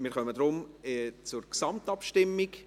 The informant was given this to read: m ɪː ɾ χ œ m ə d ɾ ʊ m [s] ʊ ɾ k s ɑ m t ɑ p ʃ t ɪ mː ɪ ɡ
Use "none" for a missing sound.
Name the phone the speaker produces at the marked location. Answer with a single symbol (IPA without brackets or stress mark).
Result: t͡s